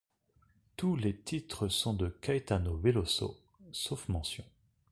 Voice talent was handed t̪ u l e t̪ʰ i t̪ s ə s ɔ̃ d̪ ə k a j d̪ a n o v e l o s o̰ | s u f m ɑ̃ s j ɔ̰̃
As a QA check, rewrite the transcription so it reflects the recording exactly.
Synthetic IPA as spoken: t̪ u l e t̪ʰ i t̪ χ ə s ɔ̃ d̪ ə k a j t̪ a n o v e l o s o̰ | s o f m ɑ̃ s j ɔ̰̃